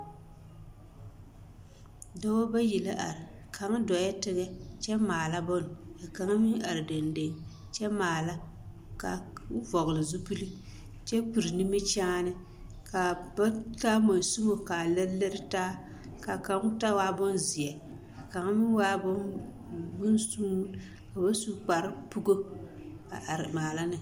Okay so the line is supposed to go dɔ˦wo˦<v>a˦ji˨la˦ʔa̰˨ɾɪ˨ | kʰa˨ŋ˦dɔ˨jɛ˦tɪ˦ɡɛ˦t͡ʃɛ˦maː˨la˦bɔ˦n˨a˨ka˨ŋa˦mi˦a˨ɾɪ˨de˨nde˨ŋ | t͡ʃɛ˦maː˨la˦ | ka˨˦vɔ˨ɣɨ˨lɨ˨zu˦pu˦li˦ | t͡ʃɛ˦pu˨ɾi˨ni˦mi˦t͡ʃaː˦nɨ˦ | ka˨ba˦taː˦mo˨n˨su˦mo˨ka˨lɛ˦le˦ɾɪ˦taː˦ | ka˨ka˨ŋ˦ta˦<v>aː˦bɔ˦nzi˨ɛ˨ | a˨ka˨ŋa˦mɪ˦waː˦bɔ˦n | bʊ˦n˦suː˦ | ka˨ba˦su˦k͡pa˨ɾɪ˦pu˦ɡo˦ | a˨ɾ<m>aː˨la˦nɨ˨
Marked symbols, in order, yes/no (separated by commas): no, no, yes